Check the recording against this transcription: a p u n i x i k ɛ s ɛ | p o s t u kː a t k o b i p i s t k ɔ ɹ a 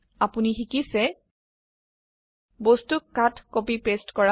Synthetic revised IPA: a p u n i x i k i s ɛ | b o s t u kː a t k o p i p e s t k ɔ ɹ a